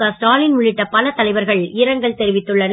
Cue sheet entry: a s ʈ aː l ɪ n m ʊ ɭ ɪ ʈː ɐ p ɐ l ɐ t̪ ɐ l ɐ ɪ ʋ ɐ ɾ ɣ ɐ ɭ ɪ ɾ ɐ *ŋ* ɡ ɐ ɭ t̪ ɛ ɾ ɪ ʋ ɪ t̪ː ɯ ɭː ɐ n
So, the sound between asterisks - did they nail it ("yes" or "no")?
yes